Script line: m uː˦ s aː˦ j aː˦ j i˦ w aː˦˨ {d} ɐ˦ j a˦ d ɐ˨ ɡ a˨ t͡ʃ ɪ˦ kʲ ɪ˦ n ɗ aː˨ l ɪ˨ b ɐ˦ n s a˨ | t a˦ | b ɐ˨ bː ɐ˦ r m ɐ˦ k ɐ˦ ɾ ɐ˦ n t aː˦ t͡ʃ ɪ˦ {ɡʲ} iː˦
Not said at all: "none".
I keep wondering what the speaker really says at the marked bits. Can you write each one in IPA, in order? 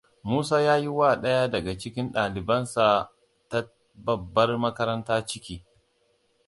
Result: ɗ, kʲ

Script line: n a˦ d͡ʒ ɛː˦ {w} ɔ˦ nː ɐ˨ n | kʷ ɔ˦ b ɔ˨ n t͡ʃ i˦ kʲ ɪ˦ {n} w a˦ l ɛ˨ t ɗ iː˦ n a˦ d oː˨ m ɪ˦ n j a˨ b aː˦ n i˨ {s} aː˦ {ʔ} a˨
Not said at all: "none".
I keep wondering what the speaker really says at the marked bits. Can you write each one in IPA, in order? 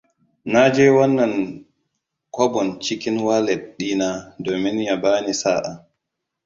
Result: w, n, s, ʔ

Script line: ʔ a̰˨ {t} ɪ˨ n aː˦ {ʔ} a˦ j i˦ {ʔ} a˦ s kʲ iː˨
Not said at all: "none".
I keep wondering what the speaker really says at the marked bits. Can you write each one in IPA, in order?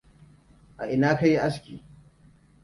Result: ʔ, k, ʔ

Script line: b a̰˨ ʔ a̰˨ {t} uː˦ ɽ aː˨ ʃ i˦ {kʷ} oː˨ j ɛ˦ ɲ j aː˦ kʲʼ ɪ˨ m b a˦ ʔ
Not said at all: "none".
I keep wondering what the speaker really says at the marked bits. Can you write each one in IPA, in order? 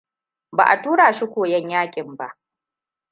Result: t, kʷ

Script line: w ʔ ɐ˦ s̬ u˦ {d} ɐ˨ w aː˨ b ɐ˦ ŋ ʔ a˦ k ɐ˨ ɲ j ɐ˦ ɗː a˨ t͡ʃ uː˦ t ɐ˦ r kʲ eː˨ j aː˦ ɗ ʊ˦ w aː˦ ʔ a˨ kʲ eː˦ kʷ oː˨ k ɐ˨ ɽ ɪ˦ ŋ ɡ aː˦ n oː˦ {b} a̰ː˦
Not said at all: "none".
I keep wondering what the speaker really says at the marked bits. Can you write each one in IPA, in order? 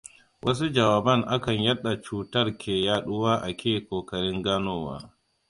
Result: d͡ʒ, w

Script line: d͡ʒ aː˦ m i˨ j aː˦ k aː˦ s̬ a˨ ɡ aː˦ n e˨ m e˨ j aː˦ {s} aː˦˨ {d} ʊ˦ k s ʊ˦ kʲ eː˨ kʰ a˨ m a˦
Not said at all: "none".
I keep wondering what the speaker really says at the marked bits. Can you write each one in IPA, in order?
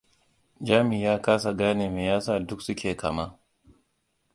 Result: s, d

